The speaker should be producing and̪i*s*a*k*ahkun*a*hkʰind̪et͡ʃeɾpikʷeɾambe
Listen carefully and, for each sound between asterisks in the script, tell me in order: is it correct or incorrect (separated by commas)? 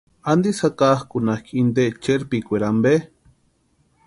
correct, correct, correct